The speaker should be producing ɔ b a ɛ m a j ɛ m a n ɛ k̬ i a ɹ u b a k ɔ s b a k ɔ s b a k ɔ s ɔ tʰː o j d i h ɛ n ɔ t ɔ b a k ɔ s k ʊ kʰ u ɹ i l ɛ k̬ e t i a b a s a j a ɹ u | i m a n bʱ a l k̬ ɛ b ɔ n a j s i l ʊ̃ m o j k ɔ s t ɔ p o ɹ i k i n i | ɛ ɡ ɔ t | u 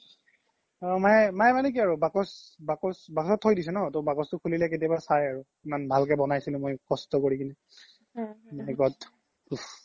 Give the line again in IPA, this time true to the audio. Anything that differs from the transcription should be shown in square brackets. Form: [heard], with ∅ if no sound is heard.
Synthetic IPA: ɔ [m] a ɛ m a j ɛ m a n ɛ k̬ i a ɹ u b a k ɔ s b a k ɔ s b a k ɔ s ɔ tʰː o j d i [s] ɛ n ɔ t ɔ b a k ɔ s [t] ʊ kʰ u [l] i l ɛ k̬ e t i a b a s a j a ɹ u | i m a n bʱ a l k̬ ɛ b ɔ n a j s i l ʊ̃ m o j k ɔ s t ɔ [k] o ɹ i k i n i | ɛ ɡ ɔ t | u